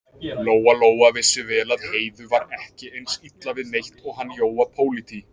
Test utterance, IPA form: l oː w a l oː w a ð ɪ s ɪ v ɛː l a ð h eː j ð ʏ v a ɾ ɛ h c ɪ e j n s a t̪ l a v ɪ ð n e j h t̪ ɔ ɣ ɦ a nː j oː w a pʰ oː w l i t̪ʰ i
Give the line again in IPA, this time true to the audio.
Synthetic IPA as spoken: l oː w a l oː w a v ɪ s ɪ v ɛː l a ð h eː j ð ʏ v a ɾ ɛ h c ɪ e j n s i t̪ l a v ɪ ð n e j h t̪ ɔ ɣ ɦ a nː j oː w a pʰ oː w l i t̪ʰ i